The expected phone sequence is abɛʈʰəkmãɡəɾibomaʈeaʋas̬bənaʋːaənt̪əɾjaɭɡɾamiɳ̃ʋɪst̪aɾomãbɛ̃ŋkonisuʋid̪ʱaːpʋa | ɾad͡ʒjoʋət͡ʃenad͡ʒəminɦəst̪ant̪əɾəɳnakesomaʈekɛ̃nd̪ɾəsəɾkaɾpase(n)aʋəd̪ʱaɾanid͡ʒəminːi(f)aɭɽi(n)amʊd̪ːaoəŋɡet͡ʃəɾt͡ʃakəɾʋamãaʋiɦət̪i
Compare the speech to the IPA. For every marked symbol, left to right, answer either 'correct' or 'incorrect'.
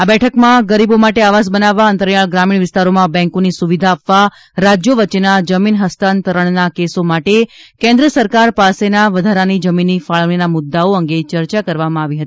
correct, correct, correct

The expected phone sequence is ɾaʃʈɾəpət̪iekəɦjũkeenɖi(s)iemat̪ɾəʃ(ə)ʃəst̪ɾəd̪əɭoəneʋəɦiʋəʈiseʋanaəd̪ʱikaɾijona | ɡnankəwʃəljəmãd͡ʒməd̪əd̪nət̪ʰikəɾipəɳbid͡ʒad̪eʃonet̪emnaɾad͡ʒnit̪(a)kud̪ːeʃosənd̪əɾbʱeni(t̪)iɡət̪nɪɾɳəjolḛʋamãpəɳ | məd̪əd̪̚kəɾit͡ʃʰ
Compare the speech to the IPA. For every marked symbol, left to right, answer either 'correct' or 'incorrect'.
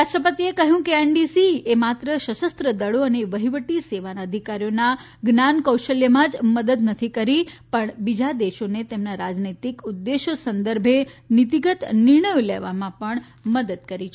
correct, correct, incorrect: i, correct

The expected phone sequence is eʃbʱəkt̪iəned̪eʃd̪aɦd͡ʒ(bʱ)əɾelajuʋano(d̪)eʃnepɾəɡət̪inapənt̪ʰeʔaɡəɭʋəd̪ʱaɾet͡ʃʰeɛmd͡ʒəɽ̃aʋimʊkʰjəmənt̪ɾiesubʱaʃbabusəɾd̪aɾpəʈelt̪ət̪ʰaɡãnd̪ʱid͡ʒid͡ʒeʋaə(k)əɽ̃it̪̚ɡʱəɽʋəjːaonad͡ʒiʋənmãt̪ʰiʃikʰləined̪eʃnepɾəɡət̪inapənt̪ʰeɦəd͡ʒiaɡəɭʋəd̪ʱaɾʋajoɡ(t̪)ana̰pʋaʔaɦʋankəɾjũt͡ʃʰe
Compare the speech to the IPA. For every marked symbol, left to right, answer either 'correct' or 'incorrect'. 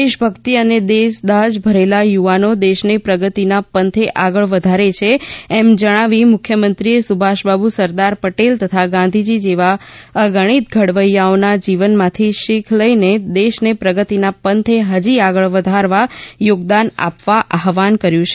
correct, correct, incorrect: ɡ, incorrect: d̪

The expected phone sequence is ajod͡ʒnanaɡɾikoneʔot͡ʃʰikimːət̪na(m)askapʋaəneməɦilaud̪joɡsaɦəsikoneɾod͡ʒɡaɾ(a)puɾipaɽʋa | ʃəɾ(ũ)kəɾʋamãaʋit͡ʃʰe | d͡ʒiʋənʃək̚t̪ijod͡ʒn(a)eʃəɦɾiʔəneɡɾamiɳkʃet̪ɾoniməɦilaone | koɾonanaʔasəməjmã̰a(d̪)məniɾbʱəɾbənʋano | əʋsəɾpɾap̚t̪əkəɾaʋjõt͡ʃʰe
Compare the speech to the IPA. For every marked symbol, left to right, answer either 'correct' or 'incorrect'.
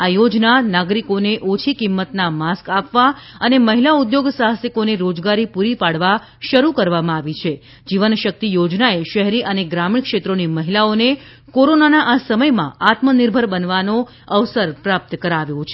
correct, incorrect: i, incorrect: u, correct, incorrect: t̪

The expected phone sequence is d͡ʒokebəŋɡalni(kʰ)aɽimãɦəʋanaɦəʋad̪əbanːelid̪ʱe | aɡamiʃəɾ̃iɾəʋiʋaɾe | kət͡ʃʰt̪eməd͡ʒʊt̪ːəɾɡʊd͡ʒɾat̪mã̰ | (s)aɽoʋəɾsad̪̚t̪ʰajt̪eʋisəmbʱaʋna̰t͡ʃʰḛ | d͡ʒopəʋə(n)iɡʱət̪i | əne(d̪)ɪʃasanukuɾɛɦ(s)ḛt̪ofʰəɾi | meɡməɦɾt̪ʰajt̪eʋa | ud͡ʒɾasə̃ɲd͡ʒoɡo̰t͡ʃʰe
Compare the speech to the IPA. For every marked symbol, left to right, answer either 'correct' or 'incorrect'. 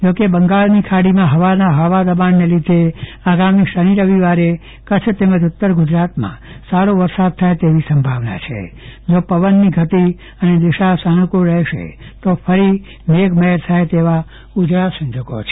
correct, correct, incorrect: nː, correct, incorrect: ʃ

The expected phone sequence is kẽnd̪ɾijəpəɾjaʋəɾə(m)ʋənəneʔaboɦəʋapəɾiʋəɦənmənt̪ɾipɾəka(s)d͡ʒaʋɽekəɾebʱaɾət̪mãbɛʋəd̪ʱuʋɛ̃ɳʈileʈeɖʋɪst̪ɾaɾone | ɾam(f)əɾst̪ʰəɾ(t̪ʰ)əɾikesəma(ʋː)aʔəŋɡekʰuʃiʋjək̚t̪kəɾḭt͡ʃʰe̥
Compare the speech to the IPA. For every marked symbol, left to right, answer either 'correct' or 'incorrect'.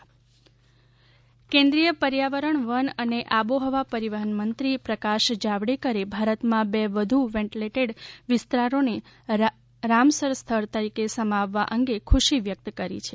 incorrect: ɳ, incorrect: ʃ, incorrect: s, incorrect: t̪, correct

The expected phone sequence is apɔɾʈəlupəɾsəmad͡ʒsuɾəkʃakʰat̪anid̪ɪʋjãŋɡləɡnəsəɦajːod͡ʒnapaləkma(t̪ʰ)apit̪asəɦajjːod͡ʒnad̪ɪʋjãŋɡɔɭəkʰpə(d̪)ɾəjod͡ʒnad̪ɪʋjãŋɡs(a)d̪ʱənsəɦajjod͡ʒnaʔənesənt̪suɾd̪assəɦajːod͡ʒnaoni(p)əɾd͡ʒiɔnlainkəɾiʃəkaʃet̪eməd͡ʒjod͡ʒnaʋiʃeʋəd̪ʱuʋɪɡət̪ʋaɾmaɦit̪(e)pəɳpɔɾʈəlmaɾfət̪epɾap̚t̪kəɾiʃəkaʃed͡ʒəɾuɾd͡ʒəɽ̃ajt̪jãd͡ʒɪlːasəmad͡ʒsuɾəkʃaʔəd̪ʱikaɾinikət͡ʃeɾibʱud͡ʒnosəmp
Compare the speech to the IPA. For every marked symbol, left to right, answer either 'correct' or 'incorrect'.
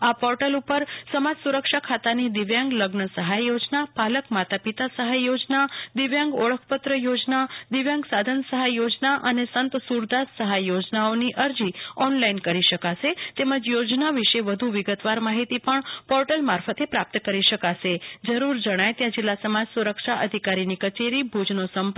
incorrect: t̪, incorrect: t̪, correct, incorrect: ʔ, incorrect: i

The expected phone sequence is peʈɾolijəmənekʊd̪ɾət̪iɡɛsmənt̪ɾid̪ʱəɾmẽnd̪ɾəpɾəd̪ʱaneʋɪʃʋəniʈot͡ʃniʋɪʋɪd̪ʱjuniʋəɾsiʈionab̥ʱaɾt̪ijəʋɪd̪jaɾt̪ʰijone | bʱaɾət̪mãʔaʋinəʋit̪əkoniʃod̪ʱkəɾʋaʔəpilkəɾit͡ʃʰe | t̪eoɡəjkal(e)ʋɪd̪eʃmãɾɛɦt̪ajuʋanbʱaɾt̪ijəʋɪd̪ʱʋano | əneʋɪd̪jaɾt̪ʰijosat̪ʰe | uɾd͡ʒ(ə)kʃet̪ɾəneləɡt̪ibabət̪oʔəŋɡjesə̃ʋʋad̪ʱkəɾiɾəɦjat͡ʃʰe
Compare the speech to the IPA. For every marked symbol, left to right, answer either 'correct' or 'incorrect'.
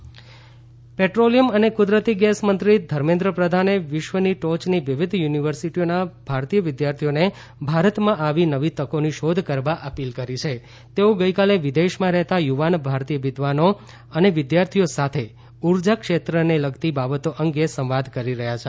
correct, incorrect: a

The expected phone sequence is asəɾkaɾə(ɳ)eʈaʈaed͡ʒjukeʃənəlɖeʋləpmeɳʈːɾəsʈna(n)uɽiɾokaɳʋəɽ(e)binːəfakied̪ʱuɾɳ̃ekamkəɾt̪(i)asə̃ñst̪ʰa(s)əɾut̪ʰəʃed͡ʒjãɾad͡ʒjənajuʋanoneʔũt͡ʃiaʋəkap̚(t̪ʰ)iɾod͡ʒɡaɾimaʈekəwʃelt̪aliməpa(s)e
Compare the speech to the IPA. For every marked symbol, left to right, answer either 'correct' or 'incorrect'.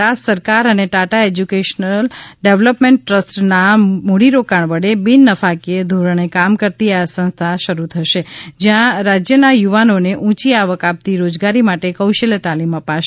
incorrect: n, incorrect: m, correct, correct, incorrect: ʃ, incorrect: t̪, incorrect: ʃ

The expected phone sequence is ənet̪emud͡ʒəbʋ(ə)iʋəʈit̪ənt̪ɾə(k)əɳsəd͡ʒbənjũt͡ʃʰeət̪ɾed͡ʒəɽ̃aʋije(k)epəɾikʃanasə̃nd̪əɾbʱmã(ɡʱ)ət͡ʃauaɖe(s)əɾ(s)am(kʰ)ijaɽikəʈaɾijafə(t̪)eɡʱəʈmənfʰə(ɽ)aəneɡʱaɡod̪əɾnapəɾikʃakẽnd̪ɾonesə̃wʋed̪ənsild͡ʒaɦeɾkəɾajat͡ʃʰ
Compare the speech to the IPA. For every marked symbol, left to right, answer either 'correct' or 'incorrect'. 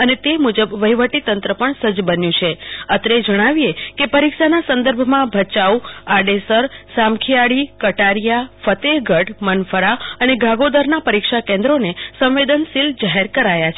correct, incorrect: p, correct, incorrect: bʱ, correct, correct, correct, correct, incorrect: ɾ

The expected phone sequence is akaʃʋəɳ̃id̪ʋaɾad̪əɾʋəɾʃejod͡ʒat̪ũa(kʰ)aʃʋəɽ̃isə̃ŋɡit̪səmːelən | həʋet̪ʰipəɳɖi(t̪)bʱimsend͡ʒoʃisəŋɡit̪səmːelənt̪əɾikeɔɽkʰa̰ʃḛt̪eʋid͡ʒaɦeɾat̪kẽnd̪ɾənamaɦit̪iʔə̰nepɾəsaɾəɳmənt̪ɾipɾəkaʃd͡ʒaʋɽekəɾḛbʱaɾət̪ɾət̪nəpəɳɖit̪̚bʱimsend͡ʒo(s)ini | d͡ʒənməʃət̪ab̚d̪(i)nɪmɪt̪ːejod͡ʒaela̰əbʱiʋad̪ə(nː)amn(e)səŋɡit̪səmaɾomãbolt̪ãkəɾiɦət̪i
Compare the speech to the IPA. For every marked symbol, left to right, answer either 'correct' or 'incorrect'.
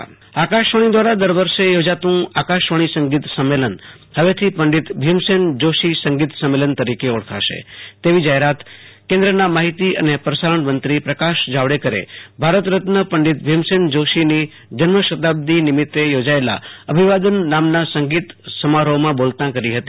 incorrect: k, correct, incorrect: ʃ, correct, correct, incorrect: a

